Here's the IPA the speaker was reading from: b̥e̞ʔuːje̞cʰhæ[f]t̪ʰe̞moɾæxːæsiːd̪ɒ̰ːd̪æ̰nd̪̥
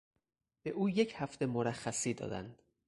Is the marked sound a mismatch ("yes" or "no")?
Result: no